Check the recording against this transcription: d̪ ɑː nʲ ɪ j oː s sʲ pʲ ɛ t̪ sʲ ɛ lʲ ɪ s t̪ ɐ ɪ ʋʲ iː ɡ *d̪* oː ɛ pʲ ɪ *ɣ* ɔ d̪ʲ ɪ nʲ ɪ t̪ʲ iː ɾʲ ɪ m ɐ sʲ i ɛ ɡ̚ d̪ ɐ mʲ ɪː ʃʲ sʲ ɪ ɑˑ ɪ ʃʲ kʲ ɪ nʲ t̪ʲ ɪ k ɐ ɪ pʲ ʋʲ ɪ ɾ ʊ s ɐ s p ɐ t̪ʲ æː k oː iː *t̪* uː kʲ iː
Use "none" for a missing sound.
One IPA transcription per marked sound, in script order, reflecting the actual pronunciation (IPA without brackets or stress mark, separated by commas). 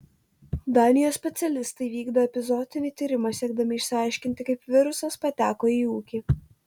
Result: d̪, z, none